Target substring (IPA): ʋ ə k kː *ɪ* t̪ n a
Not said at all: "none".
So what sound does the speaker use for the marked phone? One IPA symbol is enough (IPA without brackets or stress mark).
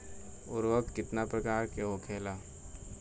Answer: ɪ